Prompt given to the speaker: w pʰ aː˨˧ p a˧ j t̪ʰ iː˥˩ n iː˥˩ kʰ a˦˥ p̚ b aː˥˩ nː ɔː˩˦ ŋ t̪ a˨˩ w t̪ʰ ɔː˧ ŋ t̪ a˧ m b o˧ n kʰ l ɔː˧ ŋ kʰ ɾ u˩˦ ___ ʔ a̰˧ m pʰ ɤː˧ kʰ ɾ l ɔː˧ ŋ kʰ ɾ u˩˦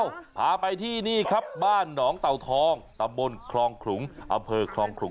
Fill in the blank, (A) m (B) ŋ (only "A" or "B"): B